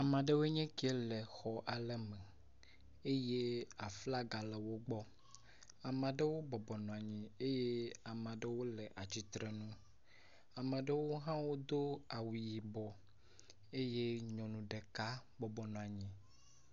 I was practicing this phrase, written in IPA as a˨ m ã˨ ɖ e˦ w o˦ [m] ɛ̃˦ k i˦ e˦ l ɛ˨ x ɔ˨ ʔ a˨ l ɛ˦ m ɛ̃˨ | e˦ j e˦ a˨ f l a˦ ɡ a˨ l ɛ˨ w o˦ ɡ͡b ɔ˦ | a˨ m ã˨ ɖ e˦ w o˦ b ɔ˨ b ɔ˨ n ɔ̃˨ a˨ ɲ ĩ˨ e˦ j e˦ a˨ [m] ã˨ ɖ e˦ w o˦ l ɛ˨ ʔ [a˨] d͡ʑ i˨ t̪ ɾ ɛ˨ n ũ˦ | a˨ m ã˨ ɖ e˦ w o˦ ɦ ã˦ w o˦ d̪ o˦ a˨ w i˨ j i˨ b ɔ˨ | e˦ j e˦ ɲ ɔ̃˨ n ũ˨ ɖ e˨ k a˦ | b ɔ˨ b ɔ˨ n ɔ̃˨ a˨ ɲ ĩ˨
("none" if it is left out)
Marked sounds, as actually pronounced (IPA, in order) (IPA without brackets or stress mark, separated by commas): ɲ, m, a˨